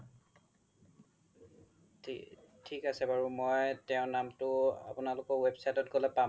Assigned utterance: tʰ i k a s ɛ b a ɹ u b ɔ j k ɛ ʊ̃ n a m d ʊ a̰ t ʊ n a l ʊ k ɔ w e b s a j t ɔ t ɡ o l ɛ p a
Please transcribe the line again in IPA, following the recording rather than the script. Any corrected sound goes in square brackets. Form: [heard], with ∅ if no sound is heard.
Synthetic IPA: tʰ i k a s ɛ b a ɹ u [m] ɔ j [t] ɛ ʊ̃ n a m [t] ʊ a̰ [p] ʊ n a l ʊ k ɔ w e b s a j t ɔ t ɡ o l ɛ p a